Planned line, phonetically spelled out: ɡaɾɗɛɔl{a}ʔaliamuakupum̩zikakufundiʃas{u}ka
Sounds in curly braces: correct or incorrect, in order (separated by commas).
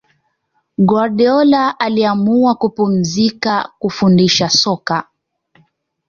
correct, incorrect